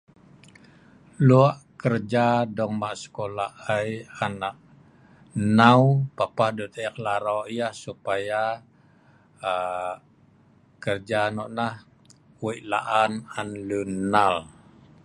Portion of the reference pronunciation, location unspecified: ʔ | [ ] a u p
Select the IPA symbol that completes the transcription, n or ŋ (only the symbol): n